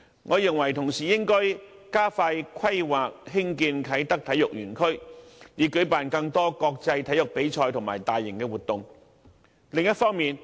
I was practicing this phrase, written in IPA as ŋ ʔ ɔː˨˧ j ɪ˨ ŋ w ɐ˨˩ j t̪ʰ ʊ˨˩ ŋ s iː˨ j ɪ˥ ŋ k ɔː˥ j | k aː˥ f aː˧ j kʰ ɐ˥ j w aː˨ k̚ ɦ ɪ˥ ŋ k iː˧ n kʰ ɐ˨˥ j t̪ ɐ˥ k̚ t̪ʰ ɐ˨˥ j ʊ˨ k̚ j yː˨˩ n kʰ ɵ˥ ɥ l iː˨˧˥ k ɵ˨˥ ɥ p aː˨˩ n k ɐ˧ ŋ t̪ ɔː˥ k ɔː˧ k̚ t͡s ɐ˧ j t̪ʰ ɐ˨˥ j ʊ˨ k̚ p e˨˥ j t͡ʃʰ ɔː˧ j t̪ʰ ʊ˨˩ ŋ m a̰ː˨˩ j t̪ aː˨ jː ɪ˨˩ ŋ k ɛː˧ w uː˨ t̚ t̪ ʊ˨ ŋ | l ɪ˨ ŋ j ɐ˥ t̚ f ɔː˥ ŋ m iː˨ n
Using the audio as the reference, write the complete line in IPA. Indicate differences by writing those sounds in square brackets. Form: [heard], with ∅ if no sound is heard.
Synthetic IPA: ŋ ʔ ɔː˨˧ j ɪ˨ ŋ w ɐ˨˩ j t̪ʰ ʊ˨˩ ŋ s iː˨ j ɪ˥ ŋ k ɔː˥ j | k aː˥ f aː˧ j kʰ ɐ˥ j w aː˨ k̚ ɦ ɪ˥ ŋ k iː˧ n kʰ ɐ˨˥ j t̪ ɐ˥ k̚ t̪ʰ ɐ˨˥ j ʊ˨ k̚ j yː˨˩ n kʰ ɵ˥ ɥ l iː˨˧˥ k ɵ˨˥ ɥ p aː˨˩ n k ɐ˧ ŋ t̪ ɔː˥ k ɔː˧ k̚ t͡s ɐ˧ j t̪ʰ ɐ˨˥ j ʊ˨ k̚ p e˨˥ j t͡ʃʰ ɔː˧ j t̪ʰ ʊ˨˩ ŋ m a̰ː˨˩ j t̪ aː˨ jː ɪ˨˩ ŋ k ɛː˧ w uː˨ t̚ t̪ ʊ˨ ŋ | l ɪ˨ ŋ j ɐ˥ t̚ f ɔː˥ ŋ m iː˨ n